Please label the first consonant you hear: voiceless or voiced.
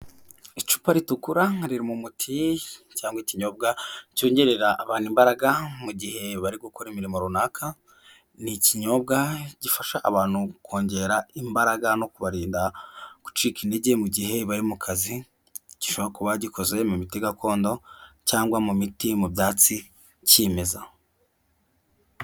voiceless